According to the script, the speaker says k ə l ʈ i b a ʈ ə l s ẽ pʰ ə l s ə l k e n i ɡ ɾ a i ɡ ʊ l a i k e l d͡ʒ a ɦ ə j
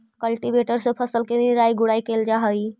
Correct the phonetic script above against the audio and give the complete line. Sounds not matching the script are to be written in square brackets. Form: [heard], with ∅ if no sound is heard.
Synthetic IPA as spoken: k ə l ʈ i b [e] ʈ ə [ɾ] s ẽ pʰ ə [∅] s ə l k e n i [∅] ɾ a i ɡ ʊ [ɽ] a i k e l d͡ʒ a ɦ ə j